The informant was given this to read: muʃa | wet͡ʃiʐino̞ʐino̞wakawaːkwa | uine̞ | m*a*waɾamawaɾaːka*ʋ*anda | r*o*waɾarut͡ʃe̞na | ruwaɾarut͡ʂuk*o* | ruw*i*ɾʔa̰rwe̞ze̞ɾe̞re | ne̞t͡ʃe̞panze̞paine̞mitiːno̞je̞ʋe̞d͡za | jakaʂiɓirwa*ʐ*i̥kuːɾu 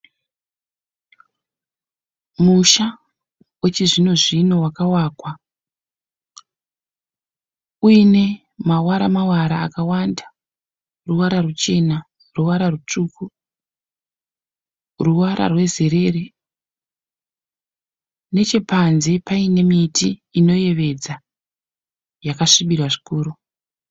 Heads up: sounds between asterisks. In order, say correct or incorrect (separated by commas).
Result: correct, incorrect, incorrect, incorrect, incorrect, correct